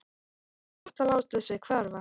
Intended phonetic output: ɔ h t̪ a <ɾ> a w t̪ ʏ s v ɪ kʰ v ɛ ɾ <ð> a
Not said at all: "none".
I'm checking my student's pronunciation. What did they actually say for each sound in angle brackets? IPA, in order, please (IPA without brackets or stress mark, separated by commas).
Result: l, v